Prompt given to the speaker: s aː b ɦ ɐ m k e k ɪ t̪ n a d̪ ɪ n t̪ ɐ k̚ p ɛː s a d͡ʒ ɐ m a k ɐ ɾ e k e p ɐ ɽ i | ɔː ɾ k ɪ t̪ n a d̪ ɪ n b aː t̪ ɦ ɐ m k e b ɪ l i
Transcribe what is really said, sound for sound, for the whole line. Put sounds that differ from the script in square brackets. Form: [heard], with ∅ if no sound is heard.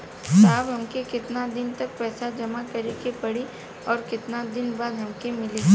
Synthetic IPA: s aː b ɦ ɐ m k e k ɪ t̪ n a d̪ ɪ n t̪ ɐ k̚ p ɛː s a d͡ʒ ɐ m a k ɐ ɾ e k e p ɐ ɽ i | ɔː ɾ k ɪ t̪ n a d̪ ɪ n b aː [d̪] ɦ ɐ m k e [m] ɪ l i